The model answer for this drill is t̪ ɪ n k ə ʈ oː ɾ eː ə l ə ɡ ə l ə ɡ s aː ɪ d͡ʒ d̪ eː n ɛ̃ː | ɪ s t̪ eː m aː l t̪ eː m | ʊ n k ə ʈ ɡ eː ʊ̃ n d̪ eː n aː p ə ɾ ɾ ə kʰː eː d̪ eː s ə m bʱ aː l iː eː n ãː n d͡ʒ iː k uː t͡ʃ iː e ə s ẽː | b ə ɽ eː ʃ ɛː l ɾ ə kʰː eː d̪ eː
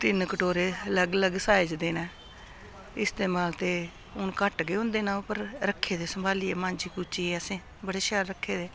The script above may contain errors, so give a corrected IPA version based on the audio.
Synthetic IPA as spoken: t̪ ɪ n k ə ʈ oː ɾ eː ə l ə ɡ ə l ə ɡ s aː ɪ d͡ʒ d̪ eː n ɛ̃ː | ɪ s t̪ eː m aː l t̪ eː | ʊ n k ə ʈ ɡ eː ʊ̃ n d̪ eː n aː p ə ɾ ɾ ə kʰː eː d̪ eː s ə m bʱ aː l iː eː m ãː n d͡ʒ iː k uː t͡ʃ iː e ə s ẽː | b ə ɽ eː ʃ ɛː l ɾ ə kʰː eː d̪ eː